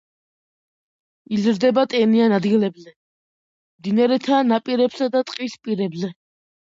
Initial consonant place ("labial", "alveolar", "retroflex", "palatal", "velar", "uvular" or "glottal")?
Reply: alveolar